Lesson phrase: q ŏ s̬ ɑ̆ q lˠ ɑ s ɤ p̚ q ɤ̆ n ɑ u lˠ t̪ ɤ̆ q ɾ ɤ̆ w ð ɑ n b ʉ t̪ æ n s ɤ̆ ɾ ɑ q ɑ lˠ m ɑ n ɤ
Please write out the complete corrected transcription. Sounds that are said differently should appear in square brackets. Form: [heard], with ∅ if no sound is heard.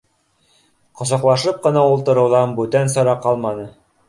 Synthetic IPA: q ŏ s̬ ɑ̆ q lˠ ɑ [ʃ] ɤ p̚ q ɤ̆ n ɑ u lˠ t̪ ɤ̆ [∅] ɾ ɤ̆ w ð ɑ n b ʉ t̪ æ n s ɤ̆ ɾ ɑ q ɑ lˠ m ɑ n ɤ